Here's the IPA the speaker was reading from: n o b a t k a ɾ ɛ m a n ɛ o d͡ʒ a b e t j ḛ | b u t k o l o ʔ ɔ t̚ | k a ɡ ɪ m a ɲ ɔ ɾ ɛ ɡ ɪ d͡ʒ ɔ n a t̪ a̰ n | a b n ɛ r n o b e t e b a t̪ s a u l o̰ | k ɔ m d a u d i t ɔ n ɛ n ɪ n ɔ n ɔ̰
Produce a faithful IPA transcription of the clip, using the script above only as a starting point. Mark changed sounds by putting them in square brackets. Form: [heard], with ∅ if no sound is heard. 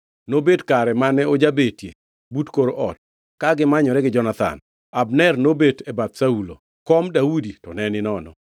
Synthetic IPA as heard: n o b [e] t k a ɾ ɛ m a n ɛ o d͡ʒ a b e t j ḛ | b u t k o [ɾ] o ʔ ɔ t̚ | k a ɡ ɪ m a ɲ ɔ ɾ ɛ ɡ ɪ d͡ʒ ɔ n a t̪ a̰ n | a b n ɛ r n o b e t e b a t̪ s a u l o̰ | k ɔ m d a u d i t ɔ n ɛ n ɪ n ɔ n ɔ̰

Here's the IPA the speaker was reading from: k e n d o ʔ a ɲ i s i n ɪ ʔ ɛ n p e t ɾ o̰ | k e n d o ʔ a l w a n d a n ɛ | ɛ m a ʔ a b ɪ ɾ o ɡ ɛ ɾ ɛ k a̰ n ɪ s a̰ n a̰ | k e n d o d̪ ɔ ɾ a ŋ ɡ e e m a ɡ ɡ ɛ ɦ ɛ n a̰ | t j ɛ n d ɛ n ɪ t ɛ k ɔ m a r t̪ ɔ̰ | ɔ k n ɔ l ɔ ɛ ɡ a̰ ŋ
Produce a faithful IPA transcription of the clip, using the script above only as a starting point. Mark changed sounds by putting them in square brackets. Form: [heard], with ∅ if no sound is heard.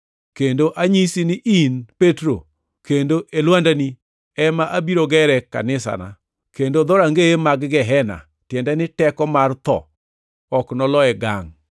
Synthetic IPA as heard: k e n d o ʔ a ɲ i s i n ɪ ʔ [i] n p e t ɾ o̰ | k e n d o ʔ [e] l w a n d a n [i] | ɛ m a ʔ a b [i] ɾ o ɡ ɛ ɾ ɛ k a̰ n ɪ s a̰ n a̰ | k e n d o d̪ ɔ ɾ a ŋ ɡ e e m a ɡ ɡ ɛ ɦ ɛ n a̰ | t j ɛ n d ɛ n ɪ t ɛ k ɔ m a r t̪ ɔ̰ | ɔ k n ɔ l ɔ ɛ ɡ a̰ ŋ

